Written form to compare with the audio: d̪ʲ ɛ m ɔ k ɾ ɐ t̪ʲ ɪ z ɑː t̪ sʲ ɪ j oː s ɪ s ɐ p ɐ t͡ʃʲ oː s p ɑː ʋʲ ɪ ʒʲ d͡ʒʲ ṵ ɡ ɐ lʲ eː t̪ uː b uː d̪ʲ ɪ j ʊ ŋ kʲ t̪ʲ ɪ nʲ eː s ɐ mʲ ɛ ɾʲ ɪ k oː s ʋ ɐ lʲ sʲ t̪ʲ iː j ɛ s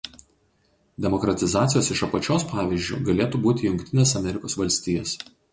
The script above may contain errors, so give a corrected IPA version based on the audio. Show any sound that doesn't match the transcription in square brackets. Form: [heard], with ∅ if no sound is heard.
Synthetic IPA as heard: d̪ʲ ɛ m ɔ k ɾ ɐ t̪ʲ ɪ z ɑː t̪ sʲ ɪ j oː s ɪ [ʃ] ɐ p ɐ t͡ʃʲ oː s p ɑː ʋʲ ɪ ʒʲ d͡ʒʲ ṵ ɡ ɐ lʲ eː t̪ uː b uː [t̪ʲ] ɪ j ʊ ŋ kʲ t̪ʲ ɪ nʲ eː s ɐ mʲ ɛ ɾʲ ɪ k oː s ʋ ɐ lʲ sʲ t̪ʲ iː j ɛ s